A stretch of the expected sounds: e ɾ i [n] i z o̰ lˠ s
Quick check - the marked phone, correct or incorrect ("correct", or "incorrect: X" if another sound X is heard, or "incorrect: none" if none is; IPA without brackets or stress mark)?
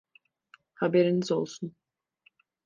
correct